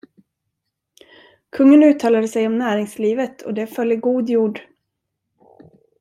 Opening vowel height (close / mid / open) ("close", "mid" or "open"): mid